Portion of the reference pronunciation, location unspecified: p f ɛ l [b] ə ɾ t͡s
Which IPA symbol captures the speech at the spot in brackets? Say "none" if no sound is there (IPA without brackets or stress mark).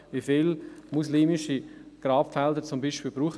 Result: d